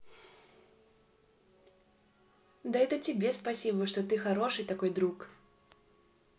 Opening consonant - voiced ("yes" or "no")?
yes